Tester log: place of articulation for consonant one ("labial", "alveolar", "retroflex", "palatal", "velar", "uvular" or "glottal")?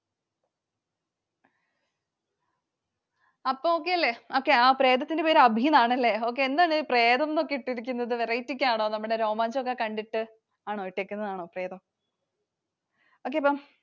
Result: labial